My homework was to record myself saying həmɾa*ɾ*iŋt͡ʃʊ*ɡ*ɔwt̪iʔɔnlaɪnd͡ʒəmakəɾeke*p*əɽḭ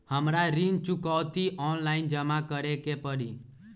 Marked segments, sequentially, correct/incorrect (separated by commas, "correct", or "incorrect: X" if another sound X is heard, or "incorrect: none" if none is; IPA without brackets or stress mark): correct, incorrect: k, correct